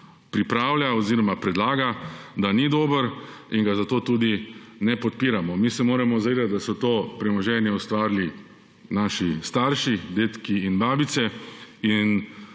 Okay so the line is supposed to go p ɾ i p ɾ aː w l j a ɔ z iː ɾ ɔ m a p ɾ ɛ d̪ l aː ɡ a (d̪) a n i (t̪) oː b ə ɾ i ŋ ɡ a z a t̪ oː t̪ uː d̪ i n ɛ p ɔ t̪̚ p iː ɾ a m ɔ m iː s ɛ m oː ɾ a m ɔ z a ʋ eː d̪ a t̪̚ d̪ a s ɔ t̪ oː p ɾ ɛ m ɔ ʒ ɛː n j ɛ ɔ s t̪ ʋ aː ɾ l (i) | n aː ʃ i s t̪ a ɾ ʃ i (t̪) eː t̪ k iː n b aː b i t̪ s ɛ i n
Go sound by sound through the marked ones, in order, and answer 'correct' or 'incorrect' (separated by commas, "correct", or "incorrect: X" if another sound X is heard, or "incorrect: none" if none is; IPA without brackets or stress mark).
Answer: correct, incorrect: d̪, correct, incorrect: d̪